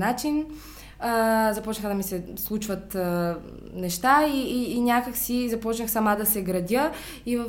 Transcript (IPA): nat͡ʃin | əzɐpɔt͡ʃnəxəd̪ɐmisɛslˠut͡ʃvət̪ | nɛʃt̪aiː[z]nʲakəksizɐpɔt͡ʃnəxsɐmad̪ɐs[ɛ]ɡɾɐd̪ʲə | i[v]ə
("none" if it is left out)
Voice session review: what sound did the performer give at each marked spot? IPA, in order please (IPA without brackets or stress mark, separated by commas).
none, ɛ, v